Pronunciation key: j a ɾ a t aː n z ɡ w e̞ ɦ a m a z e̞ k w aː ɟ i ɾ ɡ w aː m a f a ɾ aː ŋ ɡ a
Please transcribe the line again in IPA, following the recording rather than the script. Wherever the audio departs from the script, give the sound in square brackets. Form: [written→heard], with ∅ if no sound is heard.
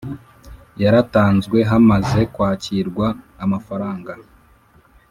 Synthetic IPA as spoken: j a ɾ a t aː n z ɡ w e̞ ɦ a m a z e̞ k w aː [ɟ→c] i ɾ ɡ w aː m a f a ɾ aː ŋ ɡ a